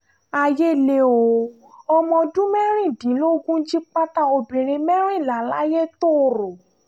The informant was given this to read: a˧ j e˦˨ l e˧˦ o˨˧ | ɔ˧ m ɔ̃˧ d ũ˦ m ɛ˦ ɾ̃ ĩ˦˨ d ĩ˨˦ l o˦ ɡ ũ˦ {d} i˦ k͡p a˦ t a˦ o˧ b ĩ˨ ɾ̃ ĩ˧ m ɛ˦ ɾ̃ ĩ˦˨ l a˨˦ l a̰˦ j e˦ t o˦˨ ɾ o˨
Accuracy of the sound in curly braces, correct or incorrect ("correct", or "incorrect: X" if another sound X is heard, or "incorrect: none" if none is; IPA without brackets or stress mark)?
incorrect: d͡ʒ